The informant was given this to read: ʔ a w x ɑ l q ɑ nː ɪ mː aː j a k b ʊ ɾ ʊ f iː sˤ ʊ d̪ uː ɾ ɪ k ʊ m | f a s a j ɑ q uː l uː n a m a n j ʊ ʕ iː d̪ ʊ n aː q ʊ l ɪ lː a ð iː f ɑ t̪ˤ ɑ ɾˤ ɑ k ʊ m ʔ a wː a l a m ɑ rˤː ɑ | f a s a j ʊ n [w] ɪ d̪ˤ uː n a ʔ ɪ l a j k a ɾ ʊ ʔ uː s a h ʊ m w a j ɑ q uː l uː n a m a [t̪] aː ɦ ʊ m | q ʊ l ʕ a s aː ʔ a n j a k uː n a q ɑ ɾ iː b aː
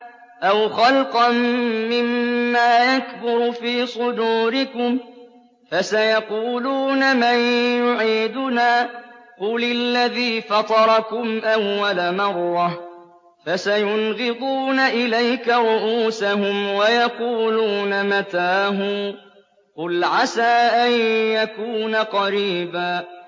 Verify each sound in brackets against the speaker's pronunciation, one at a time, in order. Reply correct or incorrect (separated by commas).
incorrect, correct